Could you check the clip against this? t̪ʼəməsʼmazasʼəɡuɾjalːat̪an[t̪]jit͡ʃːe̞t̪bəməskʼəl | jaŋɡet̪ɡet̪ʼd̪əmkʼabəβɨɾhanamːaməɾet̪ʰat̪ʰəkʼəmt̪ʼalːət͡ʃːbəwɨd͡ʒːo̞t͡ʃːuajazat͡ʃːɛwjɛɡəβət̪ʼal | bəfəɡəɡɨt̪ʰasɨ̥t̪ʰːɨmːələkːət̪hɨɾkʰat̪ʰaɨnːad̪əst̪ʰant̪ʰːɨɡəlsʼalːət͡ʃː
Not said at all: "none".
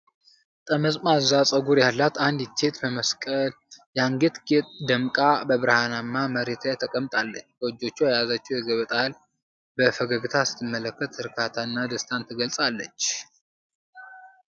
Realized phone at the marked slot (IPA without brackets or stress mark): d̪